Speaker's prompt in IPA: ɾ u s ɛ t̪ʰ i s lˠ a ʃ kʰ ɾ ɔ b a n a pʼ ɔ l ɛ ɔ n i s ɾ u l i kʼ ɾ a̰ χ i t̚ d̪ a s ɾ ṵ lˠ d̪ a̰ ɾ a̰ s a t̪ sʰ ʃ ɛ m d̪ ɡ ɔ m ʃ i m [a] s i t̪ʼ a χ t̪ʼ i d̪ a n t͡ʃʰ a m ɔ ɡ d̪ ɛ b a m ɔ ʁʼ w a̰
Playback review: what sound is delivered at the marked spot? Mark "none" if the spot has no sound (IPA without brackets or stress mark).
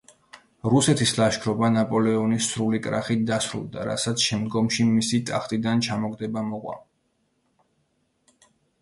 i